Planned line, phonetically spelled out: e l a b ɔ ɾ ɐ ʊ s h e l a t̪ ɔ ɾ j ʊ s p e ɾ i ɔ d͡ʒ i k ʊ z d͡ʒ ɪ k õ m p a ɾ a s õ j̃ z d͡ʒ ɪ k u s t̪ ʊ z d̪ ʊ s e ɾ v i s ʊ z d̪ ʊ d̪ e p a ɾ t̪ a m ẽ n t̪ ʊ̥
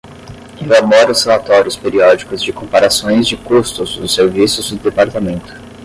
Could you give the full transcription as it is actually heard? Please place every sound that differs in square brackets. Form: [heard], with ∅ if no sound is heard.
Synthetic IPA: e l a b ɔ ɾ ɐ ʊ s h e l a t̪ ɔ ɾ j ʊ s p e ɾ i ɔ d͡ʒ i k ʊ z d͡ʒ ɪ k õ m p a ɾ a s õ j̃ z d͡ʒ ɪ k u s t̪ ʊ z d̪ ʊ s e ɾ v i s ʊ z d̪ ʊ d̪ e p a ɾ t̪ a m ẽ n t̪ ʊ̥